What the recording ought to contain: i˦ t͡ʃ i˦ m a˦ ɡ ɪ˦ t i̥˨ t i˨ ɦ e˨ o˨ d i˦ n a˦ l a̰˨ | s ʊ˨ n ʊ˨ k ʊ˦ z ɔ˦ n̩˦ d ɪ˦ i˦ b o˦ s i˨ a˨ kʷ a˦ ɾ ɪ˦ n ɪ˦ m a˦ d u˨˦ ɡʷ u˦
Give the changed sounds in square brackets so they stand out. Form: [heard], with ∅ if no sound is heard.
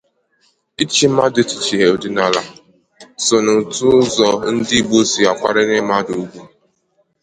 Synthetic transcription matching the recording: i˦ t͡ʃ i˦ m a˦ [d] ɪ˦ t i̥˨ [t͡ʃ] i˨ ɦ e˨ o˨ d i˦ n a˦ l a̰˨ | s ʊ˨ n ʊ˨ [t] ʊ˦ z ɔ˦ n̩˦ d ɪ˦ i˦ b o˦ s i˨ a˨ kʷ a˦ ɾ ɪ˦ n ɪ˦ m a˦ d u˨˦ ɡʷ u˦